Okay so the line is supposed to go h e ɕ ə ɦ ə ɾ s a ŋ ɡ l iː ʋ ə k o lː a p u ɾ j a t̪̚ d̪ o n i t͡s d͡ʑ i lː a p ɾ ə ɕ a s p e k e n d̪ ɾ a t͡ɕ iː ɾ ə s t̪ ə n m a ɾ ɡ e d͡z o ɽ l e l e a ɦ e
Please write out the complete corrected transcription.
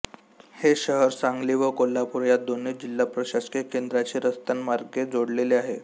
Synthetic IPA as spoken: h e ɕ ə ɦ ə ɾ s a ŋ ɡ l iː ʋ ə k o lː a p u ɾ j a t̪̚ d̪ o n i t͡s d͡ʑ i lː a p ɾ ə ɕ a s k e k e n d̪ ɾ a t͡ɕ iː ɾ ə s t̪ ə n m a ɾ ɡ e d͡z o ɽ l e l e a ɦ e